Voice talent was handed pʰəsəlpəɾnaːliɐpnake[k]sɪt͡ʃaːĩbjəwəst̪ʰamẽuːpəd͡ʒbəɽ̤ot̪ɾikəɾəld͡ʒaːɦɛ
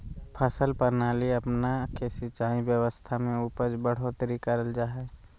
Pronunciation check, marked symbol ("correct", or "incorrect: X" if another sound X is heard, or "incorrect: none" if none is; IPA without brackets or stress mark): incorrect: none